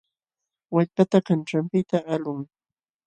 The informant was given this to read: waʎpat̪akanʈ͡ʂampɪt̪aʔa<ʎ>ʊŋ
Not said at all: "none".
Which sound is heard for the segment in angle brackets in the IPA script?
l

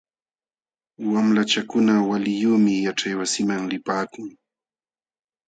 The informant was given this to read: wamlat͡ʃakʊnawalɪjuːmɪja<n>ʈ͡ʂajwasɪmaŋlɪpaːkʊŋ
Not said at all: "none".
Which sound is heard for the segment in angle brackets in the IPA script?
none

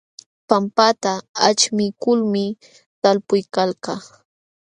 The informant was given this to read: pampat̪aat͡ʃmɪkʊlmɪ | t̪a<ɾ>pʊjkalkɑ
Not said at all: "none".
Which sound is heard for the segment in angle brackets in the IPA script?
l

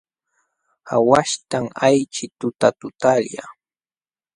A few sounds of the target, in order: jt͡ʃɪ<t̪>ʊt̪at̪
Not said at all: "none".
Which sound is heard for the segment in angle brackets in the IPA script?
t̪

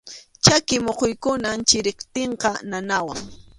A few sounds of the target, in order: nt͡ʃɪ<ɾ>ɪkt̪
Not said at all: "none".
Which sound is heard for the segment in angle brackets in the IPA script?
ɾ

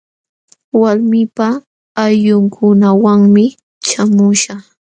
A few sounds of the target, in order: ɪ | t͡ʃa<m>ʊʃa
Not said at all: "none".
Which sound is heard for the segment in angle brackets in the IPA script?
m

